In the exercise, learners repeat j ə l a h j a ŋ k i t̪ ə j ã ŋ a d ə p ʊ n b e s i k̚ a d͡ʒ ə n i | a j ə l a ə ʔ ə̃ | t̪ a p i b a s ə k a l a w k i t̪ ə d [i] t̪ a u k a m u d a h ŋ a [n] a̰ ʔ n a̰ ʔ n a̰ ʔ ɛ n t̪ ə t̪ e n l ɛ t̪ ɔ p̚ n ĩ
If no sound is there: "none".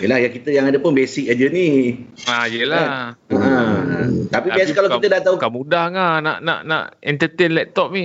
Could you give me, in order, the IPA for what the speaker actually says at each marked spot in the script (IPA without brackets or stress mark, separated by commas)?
a, n